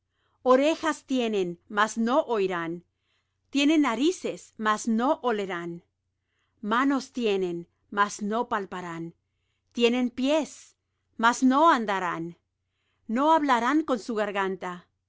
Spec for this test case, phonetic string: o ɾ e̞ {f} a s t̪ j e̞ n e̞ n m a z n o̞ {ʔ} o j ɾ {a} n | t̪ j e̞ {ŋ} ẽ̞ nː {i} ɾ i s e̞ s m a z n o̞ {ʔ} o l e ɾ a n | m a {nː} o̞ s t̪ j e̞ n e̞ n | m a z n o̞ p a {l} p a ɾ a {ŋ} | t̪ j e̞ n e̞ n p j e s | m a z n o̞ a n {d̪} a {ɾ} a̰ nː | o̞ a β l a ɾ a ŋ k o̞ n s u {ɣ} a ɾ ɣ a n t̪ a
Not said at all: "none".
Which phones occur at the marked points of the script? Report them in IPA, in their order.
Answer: x, ʔ, a, n, a, ʔ, n, l, n, d̪, ɾ, ɣ

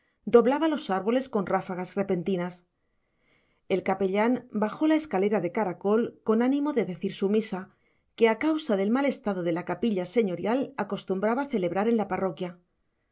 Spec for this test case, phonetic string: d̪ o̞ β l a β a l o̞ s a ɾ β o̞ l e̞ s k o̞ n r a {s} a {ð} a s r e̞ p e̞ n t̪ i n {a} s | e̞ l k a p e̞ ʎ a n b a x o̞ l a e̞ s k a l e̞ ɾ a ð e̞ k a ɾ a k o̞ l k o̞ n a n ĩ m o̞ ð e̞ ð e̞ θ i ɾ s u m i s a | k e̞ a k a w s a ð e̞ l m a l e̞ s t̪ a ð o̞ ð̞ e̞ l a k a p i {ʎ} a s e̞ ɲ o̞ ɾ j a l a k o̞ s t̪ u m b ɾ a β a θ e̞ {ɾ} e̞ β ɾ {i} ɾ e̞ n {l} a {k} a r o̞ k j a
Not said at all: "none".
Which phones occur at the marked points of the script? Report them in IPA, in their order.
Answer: f, ɣ, a, ʎ, l, a, l, p

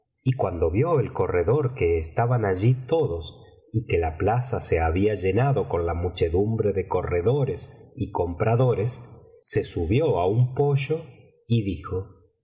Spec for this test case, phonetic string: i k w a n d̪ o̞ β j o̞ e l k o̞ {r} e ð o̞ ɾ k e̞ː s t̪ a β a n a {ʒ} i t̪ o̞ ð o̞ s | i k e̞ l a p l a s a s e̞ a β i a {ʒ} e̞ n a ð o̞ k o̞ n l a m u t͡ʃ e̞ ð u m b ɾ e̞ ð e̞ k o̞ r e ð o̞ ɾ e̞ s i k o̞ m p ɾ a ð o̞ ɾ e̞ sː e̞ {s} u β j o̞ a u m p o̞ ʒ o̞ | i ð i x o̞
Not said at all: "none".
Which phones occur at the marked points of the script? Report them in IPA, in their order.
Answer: r, ʒ, ʒ, s

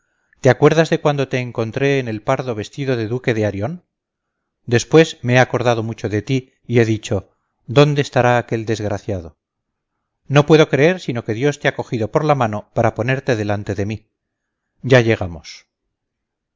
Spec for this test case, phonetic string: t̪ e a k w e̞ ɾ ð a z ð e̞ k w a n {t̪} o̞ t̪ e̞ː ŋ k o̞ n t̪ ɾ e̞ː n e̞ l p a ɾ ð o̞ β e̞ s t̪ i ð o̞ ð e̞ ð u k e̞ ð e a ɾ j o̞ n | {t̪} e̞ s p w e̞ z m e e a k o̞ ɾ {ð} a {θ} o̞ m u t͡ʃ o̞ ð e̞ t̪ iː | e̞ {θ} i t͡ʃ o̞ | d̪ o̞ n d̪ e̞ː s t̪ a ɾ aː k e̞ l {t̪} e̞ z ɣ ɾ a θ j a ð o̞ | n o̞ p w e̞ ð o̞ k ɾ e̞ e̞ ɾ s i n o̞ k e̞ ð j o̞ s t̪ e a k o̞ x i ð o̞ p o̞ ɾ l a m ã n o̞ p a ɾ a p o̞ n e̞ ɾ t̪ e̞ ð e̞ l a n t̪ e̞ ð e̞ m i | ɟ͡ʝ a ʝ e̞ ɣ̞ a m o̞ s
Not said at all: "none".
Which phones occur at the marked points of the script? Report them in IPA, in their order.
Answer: d̪, d̪, ð, ð, ð, d̪

